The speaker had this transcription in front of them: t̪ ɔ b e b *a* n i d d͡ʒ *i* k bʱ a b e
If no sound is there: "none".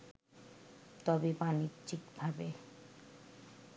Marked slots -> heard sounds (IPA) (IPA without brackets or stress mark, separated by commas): a, i